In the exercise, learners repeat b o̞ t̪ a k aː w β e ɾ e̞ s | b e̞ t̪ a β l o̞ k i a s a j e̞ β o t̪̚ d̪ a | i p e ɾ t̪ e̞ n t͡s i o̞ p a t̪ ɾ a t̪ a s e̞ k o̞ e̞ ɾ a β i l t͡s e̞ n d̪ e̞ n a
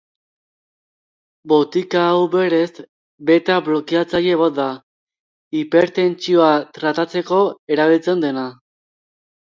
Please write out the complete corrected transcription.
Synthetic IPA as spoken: b o̞ t̪ i k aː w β e ɾ e̞ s | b e̞ t̪ a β l o̞ k i a t͡s a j e̞ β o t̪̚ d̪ a | i p e ɾ t̪ e̞ n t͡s i o̞ a t̪ ɾ a t̪ a t͡s e̞ k o̞ e̞ ɾ a β i l t͡s e̞ n d̪ e̞ n a